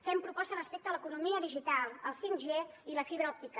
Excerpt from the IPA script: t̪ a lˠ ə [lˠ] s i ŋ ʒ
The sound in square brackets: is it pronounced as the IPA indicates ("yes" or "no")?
yes